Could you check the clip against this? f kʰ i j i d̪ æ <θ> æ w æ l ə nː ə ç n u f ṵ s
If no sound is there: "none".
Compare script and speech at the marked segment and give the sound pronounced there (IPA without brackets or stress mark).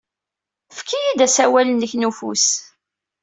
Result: s